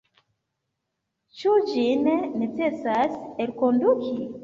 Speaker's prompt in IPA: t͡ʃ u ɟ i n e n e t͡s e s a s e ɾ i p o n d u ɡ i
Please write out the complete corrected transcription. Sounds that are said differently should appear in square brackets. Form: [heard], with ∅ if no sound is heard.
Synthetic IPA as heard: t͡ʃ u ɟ i n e n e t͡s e s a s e ɾ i [k] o n d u [k] i